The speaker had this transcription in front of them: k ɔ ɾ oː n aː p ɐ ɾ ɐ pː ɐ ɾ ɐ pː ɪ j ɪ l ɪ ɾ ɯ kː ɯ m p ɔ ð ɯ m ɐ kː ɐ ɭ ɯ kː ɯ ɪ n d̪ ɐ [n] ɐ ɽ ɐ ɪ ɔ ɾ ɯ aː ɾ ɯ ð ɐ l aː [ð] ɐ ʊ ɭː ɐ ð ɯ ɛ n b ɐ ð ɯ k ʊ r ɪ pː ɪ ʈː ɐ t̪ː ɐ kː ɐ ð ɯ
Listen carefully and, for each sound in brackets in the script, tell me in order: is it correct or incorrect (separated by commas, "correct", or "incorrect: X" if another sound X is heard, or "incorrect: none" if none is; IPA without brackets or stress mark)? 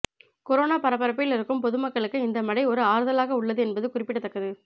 incorrect: m, incorrect: ɣ